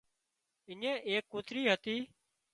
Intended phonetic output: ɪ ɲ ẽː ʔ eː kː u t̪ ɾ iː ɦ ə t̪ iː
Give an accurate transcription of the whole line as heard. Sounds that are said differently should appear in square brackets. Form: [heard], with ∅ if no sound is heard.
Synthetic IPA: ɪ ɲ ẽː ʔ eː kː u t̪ ɾ iː ɦ ə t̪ iː